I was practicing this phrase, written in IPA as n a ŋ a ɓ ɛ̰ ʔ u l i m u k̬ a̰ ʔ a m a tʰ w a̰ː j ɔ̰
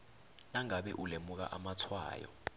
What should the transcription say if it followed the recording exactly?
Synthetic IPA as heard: n a ŋ a ɓ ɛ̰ ʔ u l e m u k̬ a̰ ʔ a m a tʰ w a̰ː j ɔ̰